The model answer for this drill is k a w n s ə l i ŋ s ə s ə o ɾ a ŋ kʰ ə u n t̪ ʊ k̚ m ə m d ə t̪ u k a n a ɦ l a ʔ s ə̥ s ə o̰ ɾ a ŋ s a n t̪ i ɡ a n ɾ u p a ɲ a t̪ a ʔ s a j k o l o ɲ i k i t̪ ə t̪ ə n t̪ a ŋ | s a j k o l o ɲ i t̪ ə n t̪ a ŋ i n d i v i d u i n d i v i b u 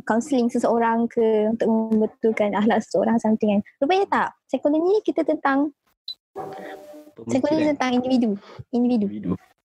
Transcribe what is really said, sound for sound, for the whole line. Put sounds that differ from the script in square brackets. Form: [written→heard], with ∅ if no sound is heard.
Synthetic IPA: k a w n s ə l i ŋ s ə s ə o ɾ a ŋ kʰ ə u n t̪ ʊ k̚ m ə m [d→b] ə t̪ u k a n a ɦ l a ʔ s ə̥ s ə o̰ ɾ a ŋ s a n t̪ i [ɡ→ŋ] a n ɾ u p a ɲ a t̪ a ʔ s a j k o l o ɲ i k i t̪ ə t̪ ə n t̪ a ŋ | s a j k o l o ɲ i t̪ ə n t̪ a ŋ i n d i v i d u i n d i v i [b→d] u